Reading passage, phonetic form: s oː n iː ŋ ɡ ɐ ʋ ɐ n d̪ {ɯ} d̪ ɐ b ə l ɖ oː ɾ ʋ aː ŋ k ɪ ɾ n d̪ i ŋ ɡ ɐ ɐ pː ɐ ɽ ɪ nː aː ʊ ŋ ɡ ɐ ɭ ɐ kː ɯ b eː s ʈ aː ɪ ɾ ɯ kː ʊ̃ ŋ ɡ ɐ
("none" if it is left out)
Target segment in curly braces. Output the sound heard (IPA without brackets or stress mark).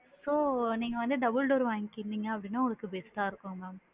ɯ